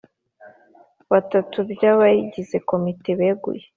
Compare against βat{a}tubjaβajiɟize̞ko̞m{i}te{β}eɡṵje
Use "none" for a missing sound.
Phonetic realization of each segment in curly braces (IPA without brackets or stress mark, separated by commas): a, i, β